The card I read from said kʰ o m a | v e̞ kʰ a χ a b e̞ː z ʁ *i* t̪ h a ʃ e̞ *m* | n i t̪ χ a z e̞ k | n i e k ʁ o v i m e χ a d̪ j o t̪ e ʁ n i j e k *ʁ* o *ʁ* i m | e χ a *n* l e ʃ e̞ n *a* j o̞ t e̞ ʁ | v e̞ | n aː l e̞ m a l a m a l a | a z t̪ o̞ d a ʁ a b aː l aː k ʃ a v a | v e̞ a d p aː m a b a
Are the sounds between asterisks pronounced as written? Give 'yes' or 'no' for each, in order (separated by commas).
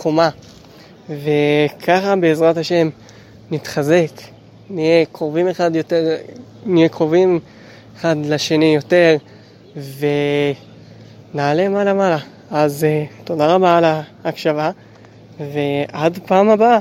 no, yes, yes, no, no, no